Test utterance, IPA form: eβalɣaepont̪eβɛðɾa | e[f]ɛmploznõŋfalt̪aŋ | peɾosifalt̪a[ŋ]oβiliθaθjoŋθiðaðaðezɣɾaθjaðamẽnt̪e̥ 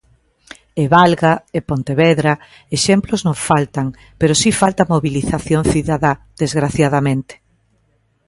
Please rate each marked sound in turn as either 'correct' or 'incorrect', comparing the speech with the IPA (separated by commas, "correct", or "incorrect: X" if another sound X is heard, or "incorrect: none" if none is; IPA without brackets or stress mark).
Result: incorrect: ʃ, incorrect: m